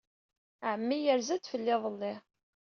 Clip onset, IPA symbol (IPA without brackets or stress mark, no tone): ʕ